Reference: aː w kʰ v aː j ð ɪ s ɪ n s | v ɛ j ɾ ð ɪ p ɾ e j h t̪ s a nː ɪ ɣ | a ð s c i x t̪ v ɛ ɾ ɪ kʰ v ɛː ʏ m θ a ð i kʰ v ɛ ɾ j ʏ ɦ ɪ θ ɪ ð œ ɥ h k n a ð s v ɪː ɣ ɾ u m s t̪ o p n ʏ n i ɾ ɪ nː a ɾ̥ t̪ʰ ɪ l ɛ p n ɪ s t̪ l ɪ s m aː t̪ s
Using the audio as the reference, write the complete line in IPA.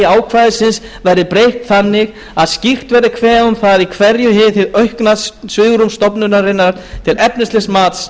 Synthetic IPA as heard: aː w kʰ v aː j ð ɪ s ɪ n s | v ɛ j ɾ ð ɪ p ɾ e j h t̪ θ a nː ɪ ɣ | a ð s c i x t̪ v ɛ ɾ ɪ kʰ v ɛː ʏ m θ a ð i kʰ v ɛ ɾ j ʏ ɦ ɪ θ ɪ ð œ ɥ h k n a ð s v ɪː ɣ ɾ u m s t̪ ɔ p n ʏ n a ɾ ɪ nː a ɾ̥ t̪ʰ ɪ l ɛ p n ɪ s t̪ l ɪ s m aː t̪ s